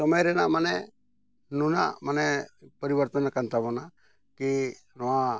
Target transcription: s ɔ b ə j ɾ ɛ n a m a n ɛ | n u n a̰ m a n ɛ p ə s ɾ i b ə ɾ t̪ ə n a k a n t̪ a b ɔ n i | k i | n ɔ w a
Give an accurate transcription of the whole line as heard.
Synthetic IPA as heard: s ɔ m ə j ɾ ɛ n a m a n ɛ | n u n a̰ m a n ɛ p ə ɾ i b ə ɾ t̪ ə n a k a n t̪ a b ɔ n a | k i | n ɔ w a

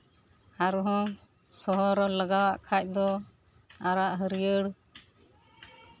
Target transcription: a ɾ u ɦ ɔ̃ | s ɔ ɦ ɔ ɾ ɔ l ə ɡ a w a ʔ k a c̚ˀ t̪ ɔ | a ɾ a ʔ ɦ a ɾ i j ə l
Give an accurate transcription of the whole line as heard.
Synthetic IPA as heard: a ɾ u ɦ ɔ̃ | s ɔ ɦ ɔ ɾ ɔ l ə ɡ a w a ʔ kʰ a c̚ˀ d̪ ɔ | a ɾ a ʔ ɦ ə ɾ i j ə ɽ

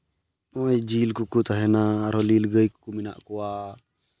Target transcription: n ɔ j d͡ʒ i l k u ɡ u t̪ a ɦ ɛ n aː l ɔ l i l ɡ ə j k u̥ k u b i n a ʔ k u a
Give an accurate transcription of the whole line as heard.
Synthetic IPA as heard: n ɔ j d͡ʒ i l k u k u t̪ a ɦ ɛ n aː ɾ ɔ l i l ɡ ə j k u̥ k u m i n a ʔ k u a

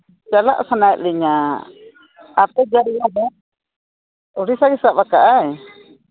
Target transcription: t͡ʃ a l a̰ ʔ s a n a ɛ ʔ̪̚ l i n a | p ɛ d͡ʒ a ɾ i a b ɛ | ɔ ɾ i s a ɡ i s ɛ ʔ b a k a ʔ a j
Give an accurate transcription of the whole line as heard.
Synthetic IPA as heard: t͡ʃ a l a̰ ʔ s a n a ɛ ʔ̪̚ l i ɲ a | p ɛ d͡ʒ a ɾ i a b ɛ | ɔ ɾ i s a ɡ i s a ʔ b a k a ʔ a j

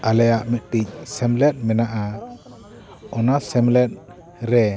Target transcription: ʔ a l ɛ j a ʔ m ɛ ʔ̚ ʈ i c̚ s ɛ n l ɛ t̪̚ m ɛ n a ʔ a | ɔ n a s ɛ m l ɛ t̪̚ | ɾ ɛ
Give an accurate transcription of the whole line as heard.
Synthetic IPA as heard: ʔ a l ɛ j a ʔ m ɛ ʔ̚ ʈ i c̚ s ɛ m l ɛ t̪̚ m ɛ n a ʔ a | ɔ n a s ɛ m l ɛ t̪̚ | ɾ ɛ

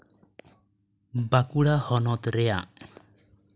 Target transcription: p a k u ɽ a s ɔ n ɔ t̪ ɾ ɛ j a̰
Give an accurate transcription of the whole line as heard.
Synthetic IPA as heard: b a k u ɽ a h ɔ n ɔ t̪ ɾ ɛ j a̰

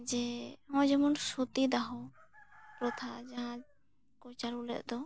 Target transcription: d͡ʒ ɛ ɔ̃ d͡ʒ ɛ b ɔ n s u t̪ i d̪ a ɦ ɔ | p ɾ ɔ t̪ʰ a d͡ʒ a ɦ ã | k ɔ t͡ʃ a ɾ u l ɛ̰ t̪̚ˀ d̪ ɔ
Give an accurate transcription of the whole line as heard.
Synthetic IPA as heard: d͡ʒ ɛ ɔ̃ d͡ʒ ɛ m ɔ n s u t̪ i d̪ a ɦ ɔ | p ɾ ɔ t̪ʰ a d͡ʒ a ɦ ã | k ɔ t͡ʃ a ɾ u l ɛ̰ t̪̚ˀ d̪ ɔ

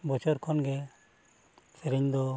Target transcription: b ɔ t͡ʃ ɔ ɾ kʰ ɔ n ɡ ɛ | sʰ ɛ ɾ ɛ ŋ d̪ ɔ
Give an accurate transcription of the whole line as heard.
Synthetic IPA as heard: b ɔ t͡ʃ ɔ ɾ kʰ ɔ n ɡ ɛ | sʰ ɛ ɾ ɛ ɲ d̪ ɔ

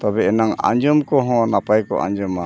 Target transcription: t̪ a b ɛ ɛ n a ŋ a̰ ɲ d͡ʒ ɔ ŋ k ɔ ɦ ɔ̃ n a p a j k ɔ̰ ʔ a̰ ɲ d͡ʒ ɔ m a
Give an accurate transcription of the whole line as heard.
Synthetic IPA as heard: t̪ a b ɛ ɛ n a ŋ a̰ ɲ d͡ʒ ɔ m k ɔ ɦ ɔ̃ n a p a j k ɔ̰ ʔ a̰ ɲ d͡ʒ ɔ m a

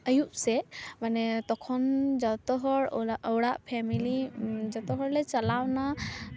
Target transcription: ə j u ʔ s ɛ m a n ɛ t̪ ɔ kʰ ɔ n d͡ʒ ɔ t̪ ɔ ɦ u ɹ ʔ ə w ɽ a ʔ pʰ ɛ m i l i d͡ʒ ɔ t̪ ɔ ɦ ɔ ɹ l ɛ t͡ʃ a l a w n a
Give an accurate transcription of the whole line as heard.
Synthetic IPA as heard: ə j u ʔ s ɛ m a n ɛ t̪ ɔ kʰ ɔ n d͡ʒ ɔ t̪ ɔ ɦ ɔ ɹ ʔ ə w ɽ a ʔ pʰ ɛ m i l i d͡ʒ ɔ t̪ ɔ ɦ ɔ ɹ l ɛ t͡ʃ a l a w n a

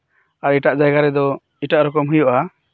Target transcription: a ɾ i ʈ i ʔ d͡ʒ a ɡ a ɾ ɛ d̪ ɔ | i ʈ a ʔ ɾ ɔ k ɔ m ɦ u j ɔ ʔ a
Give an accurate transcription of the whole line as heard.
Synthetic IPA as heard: a ɾ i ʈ a ʔ d͡ʒ a ɡ a ɾ ɛ d̪ ɔ | i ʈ a ʔ ɾ ɔ k ɔ m ɦ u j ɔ ʔ a

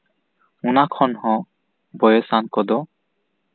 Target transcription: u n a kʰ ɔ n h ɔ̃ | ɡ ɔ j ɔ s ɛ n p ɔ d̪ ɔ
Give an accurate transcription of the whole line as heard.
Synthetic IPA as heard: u n a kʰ ɔ n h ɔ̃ | b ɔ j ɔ s a n k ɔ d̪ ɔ

